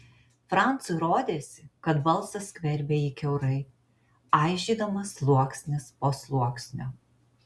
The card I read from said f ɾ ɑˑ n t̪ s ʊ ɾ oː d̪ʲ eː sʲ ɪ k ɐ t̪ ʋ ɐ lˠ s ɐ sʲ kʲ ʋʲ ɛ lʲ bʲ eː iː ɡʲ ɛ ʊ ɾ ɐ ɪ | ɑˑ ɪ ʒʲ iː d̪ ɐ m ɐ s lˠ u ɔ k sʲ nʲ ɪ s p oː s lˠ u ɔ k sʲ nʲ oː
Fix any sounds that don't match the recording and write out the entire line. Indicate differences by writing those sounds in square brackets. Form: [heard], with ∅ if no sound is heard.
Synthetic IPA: f ɾ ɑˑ n t̪ s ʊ ɾ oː d̪ʲ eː sʲ ɪ k ɐ t̪ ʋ ɐ lˠ s ɐ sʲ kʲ ʋʲ ɛ [ɾʲ] bʲ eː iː [kʲ] ɛ ʊ ɾ ɐ ɪ | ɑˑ ɪ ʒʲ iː d̪ ɐ m ɐ s lˠ u ɔ k sʲ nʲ ɪ s p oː s lˠ u ɔ k sʲ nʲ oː